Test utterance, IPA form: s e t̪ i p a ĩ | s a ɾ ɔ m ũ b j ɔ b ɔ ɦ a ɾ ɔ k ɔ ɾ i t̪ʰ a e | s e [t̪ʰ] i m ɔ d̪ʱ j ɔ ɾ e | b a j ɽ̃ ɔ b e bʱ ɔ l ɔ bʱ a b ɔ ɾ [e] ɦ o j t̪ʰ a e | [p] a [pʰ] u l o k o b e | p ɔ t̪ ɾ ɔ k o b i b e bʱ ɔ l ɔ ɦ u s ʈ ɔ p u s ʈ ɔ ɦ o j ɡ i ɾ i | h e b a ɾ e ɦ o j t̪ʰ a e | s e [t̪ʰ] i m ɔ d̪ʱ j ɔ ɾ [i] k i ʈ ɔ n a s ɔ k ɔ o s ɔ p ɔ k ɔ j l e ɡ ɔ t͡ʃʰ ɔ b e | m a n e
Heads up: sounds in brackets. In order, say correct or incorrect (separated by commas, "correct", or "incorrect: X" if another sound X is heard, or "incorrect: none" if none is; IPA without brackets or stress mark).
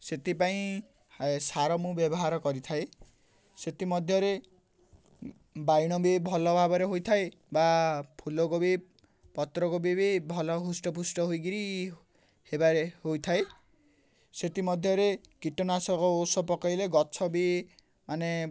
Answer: incorrect: t̪, correct, incorrect: b, correct, incorrect: t̪, incorrect: e